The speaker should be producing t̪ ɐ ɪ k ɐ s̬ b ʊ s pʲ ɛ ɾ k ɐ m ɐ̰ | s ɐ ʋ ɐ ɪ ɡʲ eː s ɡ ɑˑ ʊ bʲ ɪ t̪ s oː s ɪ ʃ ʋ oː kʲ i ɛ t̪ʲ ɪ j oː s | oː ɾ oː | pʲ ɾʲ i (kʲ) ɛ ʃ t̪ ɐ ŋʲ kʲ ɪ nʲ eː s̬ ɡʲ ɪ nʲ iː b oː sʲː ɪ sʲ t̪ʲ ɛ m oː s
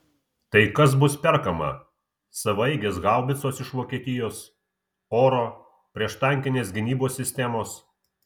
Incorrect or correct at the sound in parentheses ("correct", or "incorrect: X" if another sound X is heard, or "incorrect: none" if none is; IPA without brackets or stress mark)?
incorrect: none